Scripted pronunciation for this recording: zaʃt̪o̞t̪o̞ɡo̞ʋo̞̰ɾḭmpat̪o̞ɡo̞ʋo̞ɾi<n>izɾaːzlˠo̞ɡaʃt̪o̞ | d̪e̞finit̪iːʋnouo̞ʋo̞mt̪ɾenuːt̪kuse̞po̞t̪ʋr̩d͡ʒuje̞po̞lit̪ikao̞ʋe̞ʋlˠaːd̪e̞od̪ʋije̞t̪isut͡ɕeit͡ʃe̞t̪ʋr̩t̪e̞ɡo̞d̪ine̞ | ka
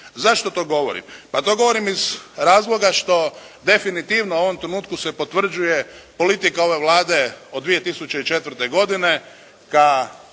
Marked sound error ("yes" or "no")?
yes